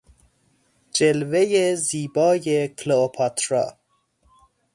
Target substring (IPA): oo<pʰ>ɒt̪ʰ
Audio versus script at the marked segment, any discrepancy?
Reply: no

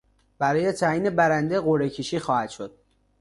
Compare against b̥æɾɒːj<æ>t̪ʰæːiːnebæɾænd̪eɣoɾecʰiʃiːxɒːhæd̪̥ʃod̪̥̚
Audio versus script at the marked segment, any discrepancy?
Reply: yes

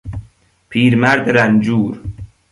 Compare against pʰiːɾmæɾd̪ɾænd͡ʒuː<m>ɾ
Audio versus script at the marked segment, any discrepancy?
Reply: yes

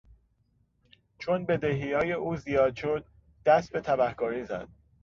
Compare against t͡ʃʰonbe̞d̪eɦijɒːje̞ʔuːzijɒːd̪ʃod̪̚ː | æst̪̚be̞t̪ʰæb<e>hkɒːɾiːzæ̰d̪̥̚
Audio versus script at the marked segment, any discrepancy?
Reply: yes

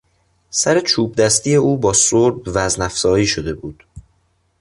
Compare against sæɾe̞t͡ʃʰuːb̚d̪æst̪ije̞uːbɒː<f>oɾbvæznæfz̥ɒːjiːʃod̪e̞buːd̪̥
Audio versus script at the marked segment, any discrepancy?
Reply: yes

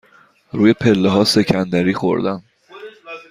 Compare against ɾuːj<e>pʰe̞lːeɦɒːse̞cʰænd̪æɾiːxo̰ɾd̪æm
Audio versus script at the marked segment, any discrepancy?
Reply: no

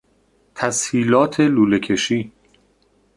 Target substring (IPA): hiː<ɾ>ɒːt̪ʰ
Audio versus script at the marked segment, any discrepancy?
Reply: yes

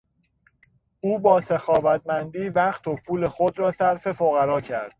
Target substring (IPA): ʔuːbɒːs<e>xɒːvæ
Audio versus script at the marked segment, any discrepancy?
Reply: no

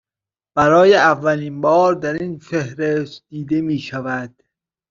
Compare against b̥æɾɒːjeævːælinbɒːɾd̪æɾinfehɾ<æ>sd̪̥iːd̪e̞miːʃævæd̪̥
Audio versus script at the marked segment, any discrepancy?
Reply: yes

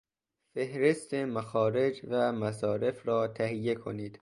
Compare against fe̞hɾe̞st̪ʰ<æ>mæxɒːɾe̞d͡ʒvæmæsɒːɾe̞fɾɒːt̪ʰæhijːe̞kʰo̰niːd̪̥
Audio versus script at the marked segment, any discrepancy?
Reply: yes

